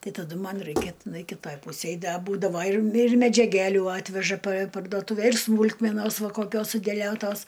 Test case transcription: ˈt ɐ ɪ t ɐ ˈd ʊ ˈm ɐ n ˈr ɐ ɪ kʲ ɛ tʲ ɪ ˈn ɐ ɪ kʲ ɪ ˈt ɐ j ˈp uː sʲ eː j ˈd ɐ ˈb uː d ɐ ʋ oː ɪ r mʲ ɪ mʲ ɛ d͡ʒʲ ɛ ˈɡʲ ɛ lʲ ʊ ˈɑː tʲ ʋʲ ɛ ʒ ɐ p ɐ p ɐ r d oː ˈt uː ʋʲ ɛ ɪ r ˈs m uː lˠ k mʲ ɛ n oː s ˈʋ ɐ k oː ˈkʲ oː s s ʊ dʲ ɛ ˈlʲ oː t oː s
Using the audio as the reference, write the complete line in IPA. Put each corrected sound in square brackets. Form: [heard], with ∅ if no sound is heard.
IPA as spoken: ˈt ɐ ɪ t ɐ ˈd ʊ ˈm ɐ n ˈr ɐ ɪ kʲ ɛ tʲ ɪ ˈn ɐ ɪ kʲ ɪ ˈt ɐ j ˈp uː sʲ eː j ˈd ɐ ˈb uː d ɐ ʋ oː ɪ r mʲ ɪ mʲ ɛ d͡ʒʲ ɛ ˈɡʲ [æ] lʲ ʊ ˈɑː tʲ ʋʲ ɛ ʒ ɐ p ɐ p ɐ r d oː ˈt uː ʋʲ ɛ ɪ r ˈs m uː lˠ k mʲ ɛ n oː s ˈʋ ɐ k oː ˈkʲ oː s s ʊ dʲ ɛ ˈlʲ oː t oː s

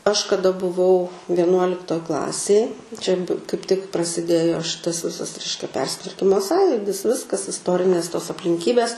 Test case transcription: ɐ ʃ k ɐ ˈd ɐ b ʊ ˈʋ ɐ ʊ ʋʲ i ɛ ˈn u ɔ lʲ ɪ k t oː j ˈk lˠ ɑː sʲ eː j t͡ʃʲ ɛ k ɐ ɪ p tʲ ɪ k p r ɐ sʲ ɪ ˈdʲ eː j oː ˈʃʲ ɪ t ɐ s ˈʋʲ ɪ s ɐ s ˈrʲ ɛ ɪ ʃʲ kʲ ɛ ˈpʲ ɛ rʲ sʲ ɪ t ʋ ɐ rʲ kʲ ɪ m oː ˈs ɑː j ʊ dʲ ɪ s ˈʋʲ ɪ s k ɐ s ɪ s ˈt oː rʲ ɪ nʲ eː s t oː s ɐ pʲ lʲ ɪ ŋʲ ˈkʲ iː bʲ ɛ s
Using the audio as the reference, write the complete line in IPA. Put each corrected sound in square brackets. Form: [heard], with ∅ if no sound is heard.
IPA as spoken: ɐ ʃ k ɐ ˈd ɐ b ʊ ˈʋ ɐ ʊ ʋʲ i ɛ ˈn u ɔ lʲ ɪ k t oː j ˈk lˠ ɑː sʲ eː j t͡ʃʲ ɛ k ɐ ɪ p tʲ ɪ k p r ɐ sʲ ɪ ˈdʲ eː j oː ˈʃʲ ɪ t ɐ s ˈʋʲ ɪ s ɐ s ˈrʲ ɛ ɪ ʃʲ kʲ ɛ ˈpʲ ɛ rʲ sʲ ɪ t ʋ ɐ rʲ kʲ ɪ m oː ˈs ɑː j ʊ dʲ ɪ s ˈʋʲ ɪ s k ɐ s ɪ s ˈt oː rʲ ɪ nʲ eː s t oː s ɐ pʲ lʲ ɪ ŋʲ ˈkʲ iː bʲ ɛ s

